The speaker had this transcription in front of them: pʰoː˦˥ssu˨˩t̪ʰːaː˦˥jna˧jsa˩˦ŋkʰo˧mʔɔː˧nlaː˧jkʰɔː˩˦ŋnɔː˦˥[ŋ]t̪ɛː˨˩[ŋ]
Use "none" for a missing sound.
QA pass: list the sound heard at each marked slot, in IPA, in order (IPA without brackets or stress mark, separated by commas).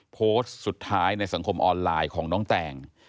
ŋ, ŋ